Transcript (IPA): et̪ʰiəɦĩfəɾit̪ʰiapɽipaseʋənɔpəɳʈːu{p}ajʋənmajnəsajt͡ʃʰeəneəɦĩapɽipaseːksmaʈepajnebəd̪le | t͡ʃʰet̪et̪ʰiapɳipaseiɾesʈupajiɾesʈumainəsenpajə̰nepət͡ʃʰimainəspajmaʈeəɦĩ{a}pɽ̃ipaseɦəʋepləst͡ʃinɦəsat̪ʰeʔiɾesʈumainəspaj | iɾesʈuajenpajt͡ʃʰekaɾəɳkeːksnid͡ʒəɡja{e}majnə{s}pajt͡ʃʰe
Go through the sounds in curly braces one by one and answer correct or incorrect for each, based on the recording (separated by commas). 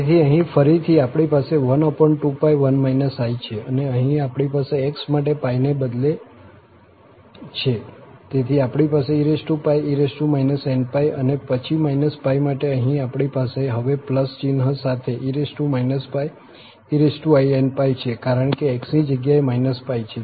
correct, correct, correct, correct